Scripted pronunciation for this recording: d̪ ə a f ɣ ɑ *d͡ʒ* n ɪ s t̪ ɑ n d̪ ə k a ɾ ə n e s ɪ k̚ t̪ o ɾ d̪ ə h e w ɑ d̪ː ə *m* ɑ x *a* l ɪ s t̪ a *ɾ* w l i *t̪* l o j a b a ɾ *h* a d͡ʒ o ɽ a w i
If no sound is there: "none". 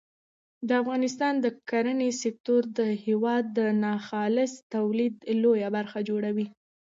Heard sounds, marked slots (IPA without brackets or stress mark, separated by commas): none, n, ɑ, none, d̪, x